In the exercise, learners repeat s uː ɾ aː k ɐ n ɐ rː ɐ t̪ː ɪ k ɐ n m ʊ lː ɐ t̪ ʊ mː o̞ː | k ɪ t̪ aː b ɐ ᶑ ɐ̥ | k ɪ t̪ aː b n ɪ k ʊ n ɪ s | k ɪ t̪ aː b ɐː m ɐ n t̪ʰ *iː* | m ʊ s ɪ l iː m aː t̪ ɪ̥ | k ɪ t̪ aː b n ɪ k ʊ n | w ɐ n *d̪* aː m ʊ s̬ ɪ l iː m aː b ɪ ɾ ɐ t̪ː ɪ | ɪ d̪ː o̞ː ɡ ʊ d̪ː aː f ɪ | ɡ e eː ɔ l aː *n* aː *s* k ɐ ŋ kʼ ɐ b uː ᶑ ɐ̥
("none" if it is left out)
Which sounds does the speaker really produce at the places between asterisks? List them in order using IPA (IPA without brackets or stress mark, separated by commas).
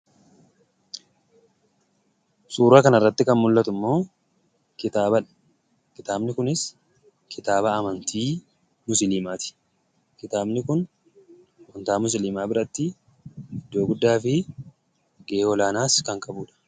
iː, t̪, n, s